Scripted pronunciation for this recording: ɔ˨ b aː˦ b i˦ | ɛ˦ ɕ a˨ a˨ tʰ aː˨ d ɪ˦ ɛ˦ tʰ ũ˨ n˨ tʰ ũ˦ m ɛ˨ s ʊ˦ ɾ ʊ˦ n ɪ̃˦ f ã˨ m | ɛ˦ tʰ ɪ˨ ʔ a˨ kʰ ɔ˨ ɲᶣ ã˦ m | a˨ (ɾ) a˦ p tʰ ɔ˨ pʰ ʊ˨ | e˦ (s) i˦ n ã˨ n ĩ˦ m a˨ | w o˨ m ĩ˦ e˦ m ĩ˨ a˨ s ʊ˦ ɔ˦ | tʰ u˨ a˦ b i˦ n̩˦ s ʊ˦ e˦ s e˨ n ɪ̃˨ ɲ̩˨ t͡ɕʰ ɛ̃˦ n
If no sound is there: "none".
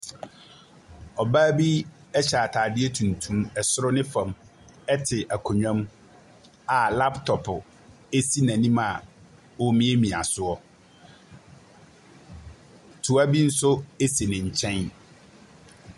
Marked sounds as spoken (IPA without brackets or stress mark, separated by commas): l, s